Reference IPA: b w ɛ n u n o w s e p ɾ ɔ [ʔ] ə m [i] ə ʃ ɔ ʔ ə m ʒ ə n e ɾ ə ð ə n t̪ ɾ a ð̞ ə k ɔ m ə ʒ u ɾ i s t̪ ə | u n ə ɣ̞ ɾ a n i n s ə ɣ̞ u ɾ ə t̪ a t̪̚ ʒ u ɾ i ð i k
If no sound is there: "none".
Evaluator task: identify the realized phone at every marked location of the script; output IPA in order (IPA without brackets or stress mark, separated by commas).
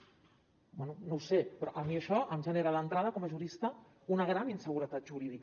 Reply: ʔ, i